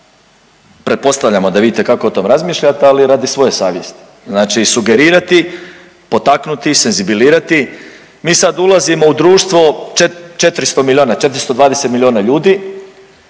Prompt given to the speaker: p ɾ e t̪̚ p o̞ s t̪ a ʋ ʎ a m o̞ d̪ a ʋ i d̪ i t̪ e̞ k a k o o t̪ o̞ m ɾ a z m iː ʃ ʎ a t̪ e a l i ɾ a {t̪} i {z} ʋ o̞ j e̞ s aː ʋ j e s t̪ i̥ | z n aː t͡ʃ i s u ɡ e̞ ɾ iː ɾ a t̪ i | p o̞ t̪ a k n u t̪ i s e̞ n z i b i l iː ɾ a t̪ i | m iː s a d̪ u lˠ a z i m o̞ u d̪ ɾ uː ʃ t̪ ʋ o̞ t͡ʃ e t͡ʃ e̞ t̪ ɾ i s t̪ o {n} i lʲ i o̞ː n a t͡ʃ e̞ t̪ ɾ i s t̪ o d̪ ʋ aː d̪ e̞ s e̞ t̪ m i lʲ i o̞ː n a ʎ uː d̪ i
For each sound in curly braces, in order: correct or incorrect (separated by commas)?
incorrect, incorrect, incorrect